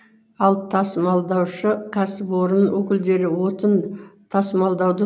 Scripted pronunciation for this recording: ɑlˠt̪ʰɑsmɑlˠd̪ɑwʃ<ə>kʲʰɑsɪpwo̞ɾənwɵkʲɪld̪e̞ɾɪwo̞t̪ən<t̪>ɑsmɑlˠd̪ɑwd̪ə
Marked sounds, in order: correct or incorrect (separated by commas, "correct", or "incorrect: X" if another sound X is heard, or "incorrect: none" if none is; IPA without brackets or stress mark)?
correct, incorrect: t̪ʰ